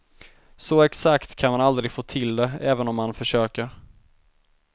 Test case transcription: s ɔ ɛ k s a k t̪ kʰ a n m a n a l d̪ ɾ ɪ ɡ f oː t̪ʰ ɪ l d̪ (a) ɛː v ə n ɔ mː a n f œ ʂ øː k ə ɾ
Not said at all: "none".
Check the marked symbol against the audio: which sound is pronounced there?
ɛ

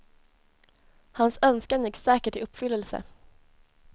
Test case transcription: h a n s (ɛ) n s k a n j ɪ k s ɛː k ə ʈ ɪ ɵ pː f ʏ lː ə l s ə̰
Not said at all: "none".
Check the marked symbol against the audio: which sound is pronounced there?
œ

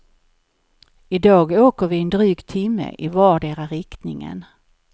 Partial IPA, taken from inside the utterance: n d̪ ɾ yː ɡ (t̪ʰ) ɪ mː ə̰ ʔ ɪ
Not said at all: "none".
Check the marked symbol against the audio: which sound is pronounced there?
t̪ʰ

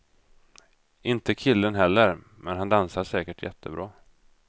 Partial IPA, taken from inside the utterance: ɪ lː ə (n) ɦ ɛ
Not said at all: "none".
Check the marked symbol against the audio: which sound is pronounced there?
n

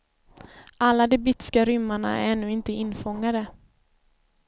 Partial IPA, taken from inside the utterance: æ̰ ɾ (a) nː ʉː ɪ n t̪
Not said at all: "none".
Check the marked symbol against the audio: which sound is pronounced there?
ɛ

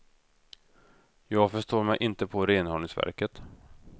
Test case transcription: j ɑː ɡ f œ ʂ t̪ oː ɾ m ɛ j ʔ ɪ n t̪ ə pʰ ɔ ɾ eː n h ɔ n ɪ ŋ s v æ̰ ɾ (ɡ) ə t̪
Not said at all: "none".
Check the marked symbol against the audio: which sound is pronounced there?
k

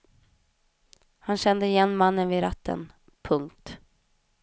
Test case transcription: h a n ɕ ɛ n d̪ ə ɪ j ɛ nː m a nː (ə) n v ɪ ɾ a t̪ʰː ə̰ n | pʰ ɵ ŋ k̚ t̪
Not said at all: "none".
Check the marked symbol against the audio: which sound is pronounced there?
ə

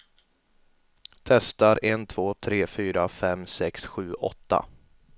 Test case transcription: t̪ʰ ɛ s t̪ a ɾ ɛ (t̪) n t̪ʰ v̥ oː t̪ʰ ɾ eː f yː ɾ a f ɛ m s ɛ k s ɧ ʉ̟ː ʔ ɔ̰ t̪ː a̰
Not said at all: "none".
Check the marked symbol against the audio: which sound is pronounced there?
none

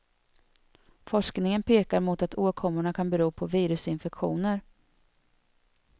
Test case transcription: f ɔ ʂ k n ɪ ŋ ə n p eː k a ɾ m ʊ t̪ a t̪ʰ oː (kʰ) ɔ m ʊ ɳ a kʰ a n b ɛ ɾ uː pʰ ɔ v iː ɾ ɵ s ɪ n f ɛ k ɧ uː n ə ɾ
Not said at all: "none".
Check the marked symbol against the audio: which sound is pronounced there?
kʰ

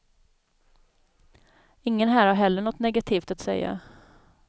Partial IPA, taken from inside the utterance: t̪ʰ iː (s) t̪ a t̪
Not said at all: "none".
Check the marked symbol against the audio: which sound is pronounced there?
f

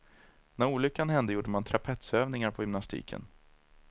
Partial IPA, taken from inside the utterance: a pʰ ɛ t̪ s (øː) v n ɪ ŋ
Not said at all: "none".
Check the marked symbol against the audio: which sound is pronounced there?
øː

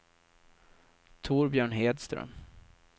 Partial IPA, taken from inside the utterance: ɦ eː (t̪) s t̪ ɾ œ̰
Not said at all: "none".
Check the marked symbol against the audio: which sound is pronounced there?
d̪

